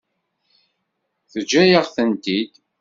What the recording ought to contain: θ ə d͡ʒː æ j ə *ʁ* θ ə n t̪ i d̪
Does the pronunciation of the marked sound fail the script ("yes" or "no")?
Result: no